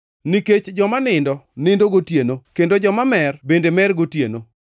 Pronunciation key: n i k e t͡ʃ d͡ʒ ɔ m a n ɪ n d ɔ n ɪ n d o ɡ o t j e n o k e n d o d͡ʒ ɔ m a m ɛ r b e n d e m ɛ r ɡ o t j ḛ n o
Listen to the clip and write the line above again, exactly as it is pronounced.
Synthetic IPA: n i k e t͡ʃ d͡ʒ ɔ m a n ɪ n d ɔ n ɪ n d o ɡ o t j e n o k e n d o d͡ʒ ɔ m a m ɛ r b e n d e m ɛ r ɡ o t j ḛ n o

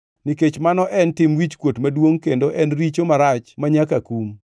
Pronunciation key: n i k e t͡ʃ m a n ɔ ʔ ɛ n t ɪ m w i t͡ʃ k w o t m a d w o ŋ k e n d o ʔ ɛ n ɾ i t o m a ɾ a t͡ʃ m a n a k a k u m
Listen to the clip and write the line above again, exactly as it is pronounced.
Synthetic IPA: n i k e t͡ʃ m a n ɔ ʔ ɛ n t ɪ m w i t͡ʃ k w o t m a d w o ŋ k e n d o ʔ ɛ n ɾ i t͡ʃ o m a ɾ a t͡ʃ m a ɲ a k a k u m

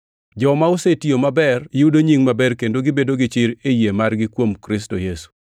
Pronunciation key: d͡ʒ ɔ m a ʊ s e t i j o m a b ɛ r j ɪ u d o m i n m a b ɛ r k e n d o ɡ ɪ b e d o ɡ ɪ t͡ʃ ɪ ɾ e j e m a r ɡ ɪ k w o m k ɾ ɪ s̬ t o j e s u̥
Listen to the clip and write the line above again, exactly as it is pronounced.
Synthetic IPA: d͡ʒ ɔ m a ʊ s e t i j o m a b ɛ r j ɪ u d o ɲ i ŋ m a b ɛ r k e n d o ɡ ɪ b e d o ɡ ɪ t͡ʃ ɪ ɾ e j e m a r ɡ ɪ k w o m k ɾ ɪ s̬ t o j e s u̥

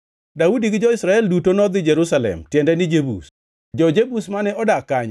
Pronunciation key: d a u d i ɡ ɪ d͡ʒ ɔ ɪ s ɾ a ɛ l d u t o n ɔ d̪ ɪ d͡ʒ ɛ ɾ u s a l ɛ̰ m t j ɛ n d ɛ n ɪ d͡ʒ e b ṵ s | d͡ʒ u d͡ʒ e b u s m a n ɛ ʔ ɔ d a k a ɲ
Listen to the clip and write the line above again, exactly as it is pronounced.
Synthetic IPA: d a u d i ɡ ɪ d͡ʒ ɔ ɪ s ɾ a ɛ l d u t o n ɔ d̪ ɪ d͡ʒ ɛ ɾ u s a l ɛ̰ m t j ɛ n d ɛ n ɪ d͡ʒ e b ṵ s | d͡ʒ ɔ d͡ʒ e b u s m a n ɛ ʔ ɔ d a k a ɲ

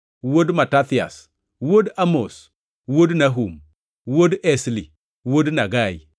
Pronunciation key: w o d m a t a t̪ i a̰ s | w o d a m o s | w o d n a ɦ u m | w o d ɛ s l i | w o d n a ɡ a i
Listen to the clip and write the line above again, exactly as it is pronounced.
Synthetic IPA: w o d m a t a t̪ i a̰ s | w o d a m o s | w o d n a ɦ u m | w o d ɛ s l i | w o d n a ɡ a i

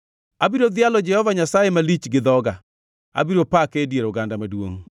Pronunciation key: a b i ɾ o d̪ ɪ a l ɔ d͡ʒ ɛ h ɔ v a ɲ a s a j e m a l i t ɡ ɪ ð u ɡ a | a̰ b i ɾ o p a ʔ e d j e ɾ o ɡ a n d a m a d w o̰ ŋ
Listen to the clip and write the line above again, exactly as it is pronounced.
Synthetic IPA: a b i ɾ o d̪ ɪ a l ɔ d͡ʒ ɛ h ɔ v a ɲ a s a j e m a l i t͡ʃ ɡ ɪ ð ɔ ɡ a | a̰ b i ɾ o p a k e d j e ɾ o ɡ a n d a m a d w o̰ ŋ

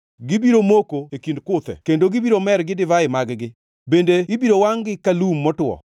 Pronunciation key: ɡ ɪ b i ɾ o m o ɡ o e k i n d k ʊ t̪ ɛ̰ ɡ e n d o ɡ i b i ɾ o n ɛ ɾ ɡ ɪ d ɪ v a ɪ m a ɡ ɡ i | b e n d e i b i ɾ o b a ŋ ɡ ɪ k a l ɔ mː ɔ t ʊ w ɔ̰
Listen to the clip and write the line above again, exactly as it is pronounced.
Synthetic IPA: ɡ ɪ b i ɾ o m o k o e k i n d k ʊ t̪ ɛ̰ k e n d o ɡ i b i ɾ o m ɛ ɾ ɡ ɪ d ɪ v a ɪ m a ɡ ɡ ɪ | b e n d e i b i ɾ o w a ŋ ɡ ɪ k a l u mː ɔ t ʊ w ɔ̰

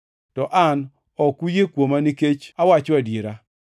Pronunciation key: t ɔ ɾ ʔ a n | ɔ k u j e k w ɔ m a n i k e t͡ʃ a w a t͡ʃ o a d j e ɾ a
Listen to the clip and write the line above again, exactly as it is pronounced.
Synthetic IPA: t ɔ ʔ a n | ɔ k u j e k w o m a n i k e t͡ʃ a w a t͡ʃ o a d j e ɾ a

